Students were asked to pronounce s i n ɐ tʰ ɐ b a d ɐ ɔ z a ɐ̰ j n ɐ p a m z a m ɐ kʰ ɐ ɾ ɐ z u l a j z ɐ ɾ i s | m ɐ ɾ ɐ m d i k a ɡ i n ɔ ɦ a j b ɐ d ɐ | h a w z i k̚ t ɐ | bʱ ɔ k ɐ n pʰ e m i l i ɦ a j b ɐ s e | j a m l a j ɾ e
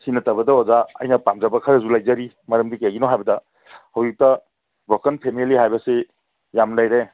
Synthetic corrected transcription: s i n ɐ t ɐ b ɐ d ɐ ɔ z a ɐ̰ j n ɐ p a m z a b ɐ kʰ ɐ ɾ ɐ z u l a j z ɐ ɾ i | m ɐ ɾ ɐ m d i k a ɡ i n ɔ ɦ a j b ɐ d ɐ | h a w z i k̚ t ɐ | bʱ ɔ k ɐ n pʰ e m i l i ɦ a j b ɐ s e | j a m l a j ɾ e